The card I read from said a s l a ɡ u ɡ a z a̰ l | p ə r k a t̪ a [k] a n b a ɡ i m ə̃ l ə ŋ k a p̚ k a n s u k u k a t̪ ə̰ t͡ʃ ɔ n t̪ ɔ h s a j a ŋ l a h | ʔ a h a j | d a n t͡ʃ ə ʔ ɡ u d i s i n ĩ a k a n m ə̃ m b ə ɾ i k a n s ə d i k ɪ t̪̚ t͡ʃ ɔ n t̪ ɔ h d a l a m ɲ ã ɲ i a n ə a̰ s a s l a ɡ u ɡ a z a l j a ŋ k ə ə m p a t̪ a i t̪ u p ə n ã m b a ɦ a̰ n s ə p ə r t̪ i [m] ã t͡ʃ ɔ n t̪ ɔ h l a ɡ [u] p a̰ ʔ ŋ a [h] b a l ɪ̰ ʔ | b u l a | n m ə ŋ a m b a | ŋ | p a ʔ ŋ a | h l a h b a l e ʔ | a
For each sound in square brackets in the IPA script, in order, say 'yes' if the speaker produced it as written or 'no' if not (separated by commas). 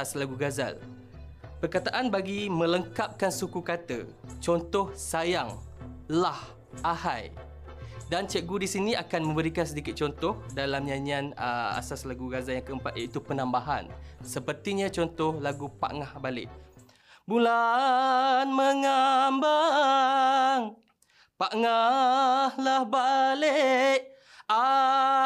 no, no, yes, yes